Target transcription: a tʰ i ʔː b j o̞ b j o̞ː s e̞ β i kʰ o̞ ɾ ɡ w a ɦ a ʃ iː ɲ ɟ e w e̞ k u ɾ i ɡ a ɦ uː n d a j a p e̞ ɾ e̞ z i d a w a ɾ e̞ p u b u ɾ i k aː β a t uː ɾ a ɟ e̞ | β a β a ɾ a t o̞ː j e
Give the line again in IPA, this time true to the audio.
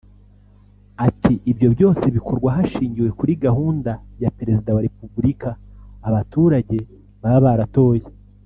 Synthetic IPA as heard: a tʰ i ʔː b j o̞ b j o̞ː s e̞ β i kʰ o̞ ɾ ɡ w a ɦ a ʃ iː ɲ ɟ i w e̞ k u ɾ i ɡ a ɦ uː n d a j a p e̞ ɾ e̞ z i d a w a ɾ e̞ p u b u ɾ i k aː β a t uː ɾ a ɟ e̞ | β a β a ɾ a t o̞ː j e